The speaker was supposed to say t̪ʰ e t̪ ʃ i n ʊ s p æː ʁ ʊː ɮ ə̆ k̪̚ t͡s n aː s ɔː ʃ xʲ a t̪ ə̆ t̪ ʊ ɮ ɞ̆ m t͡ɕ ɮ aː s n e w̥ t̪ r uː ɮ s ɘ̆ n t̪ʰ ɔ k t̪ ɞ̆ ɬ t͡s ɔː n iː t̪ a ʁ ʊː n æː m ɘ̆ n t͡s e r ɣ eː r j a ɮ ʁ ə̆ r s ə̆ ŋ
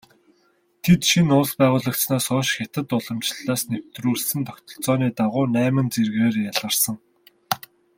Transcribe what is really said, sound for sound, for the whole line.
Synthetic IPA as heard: t̪ʰ e t̪ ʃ i n ʊ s p æː ʁ ʊː ɮ ə̆ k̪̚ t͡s n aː s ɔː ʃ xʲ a t̪ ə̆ t̪ ʊ ɮ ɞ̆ m t͡ɕ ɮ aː s n e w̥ t̪ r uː ɮ s ɘ̆ n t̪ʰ ɔ k t̪ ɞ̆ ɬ t͡s ɔː n iː t̪ a ʁ ʊː n æː m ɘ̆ n t͡s e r ɣ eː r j a ɮ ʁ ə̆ r s ə̆ ŋ